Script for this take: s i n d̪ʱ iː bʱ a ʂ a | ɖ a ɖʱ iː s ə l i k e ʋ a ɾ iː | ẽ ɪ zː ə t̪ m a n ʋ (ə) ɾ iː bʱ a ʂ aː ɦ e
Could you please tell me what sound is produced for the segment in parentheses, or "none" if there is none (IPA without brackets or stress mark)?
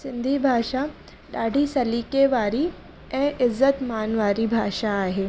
a